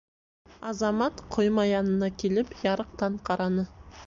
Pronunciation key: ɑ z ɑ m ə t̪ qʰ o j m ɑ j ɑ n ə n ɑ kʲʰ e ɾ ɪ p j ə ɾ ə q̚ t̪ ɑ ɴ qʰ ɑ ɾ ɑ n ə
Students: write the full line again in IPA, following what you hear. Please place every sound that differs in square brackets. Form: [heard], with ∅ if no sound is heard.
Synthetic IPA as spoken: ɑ z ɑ m [ɑ] t̪ qʰ o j m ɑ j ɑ n ə n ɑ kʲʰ e [l] ɪ p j [ɑ] ɾ ə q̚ t̪ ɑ ɴ qʰ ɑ ɾ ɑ n ə